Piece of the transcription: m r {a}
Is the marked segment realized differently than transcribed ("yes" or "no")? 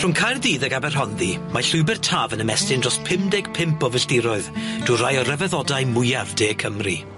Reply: yes